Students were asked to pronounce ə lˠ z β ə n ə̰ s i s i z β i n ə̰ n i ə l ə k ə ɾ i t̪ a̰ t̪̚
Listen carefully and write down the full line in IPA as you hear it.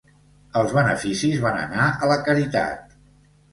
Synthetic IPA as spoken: ə lˠ z β ə n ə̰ f i s i z β a n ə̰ n a ə l ə k ə ɾ i t̪ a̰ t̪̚